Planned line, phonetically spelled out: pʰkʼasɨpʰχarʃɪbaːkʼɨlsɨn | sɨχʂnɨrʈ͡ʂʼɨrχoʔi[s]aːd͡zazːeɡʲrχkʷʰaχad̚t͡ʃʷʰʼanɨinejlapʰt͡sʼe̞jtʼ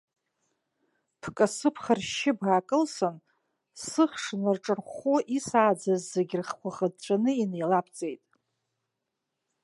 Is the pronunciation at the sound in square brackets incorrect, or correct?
correct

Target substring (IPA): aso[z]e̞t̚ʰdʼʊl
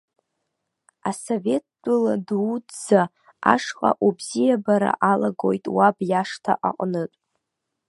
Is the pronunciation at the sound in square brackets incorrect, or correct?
incorrect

